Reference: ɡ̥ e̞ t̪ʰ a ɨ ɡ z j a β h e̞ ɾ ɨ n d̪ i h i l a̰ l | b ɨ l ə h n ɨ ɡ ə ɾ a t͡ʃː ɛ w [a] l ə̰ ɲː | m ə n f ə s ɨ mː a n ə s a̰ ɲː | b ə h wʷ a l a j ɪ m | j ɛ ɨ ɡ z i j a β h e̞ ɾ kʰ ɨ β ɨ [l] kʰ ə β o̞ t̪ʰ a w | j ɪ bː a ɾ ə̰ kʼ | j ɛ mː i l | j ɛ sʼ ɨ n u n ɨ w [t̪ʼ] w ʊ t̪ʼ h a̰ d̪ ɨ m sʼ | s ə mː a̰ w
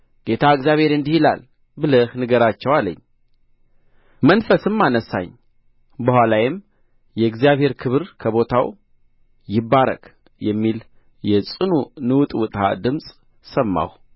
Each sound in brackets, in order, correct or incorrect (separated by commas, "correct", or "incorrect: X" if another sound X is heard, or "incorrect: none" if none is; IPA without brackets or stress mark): correct, incorrect: ɾ, correct